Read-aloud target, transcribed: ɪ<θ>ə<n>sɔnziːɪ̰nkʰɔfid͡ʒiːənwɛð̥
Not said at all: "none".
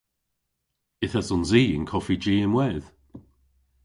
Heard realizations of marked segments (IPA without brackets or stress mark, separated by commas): θ, none